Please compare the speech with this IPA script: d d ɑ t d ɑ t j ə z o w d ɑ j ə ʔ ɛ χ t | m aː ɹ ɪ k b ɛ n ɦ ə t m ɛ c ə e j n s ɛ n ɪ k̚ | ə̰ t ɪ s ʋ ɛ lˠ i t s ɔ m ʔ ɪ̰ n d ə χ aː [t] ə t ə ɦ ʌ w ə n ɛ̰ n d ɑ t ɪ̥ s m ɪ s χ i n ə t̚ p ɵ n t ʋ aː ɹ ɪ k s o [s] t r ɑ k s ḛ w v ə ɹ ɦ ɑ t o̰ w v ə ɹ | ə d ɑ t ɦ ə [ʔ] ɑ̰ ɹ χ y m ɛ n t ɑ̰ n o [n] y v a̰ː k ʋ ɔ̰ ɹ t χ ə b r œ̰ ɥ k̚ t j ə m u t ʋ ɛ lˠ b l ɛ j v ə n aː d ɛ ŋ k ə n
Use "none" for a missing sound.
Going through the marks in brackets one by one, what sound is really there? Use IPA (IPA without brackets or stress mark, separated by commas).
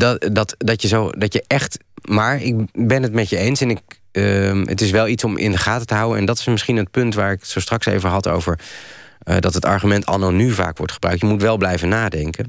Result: t, s, t, n